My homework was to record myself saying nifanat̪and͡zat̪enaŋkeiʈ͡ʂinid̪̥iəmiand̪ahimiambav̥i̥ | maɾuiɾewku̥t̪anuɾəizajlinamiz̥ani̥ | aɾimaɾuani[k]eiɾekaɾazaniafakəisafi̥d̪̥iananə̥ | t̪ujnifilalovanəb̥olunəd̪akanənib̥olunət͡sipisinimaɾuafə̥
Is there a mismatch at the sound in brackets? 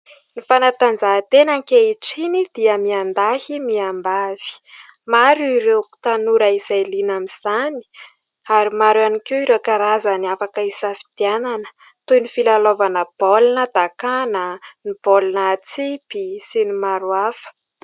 no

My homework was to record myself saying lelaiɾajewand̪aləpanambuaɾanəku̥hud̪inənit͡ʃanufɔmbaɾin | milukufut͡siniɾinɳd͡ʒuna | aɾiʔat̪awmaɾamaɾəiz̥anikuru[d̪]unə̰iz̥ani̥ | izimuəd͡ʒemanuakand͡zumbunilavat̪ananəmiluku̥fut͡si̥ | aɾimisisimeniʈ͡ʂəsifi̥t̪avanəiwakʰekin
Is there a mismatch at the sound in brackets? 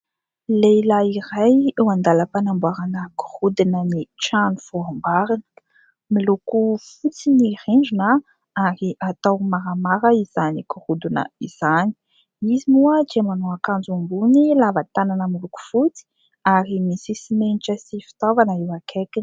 no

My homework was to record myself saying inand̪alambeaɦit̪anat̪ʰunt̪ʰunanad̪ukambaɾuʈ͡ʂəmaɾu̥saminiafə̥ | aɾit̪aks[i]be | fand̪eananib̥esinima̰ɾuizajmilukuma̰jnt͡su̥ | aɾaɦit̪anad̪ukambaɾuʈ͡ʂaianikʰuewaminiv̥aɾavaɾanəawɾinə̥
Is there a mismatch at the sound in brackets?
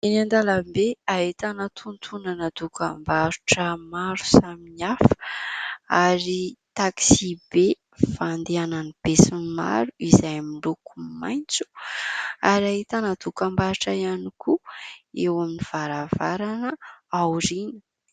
no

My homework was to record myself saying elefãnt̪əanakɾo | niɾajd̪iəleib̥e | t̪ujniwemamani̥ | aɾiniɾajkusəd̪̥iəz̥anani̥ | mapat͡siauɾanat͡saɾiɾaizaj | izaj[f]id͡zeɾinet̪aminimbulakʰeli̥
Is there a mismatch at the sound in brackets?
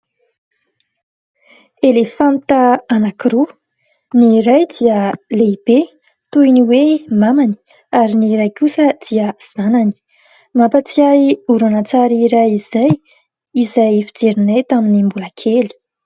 no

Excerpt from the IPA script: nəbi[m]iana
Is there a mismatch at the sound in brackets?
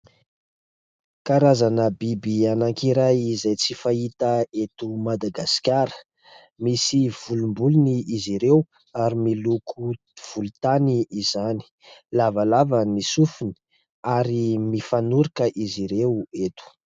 yes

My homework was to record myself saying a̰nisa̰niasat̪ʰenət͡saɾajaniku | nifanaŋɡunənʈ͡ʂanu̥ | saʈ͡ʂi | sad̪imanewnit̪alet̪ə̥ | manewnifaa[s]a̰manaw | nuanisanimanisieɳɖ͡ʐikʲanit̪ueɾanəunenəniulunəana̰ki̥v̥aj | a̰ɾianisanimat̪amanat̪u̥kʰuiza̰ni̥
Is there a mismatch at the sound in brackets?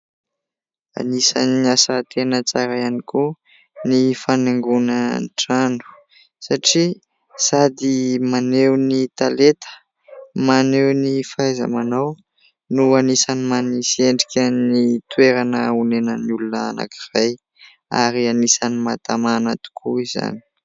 yes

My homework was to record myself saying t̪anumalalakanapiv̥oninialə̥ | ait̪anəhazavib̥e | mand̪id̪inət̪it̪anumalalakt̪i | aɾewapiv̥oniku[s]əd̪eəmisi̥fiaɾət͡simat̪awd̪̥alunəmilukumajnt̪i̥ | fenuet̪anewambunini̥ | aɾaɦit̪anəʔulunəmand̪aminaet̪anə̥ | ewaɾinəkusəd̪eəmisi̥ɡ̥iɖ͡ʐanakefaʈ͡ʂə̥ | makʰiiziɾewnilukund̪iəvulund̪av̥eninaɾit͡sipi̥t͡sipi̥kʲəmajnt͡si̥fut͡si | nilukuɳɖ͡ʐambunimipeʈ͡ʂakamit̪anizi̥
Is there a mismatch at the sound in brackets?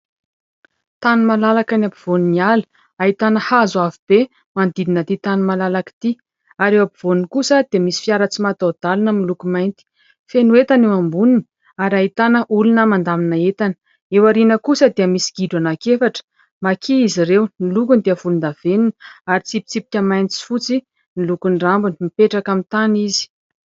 no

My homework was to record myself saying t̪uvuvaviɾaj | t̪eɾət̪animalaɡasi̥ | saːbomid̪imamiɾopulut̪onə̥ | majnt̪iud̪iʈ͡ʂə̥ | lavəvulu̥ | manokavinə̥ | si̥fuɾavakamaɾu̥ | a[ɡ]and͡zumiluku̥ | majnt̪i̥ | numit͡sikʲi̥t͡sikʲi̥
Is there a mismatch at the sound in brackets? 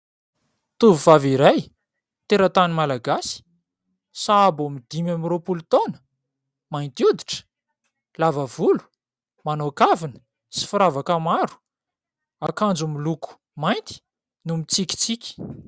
yes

